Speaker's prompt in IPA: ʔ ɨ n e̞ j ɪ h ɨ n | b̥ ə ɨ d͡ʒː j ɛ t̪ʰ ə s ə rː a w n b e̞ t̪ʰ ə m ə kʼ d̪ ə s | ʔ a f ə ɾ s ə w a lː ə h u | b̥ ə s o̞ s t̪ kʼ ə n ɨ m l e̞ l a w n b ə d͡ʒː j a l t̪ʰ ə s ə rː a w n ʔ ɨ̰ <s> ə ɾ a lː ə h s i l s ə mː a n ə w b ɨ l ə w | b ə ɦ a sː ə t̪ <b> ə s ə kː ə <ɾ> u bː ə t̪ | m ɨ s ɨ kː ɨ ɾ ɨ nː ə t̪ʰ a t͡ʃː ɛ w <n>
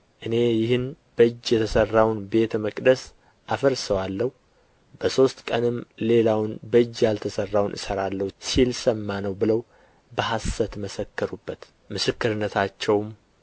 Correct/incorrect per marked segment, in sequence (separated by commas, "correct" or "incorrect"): correct, incorrect, correct, incorrect